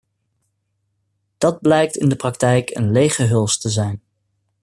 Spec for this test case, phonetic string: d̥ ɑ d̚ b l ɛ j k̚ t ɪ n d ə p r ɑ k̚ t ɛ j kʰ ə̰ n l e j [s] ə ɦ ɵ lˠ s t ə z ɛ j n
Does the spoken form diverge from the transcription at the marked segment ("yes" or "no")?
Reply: yes